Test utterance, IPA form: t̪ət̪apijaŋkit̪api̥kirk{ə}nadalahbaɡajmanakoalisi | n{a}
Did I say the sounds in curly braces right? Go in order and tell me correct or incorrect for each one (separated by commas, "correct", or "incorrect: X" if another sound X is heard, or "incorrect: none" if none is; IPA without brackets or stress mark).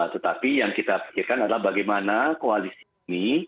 incorrect: a, incorrect: i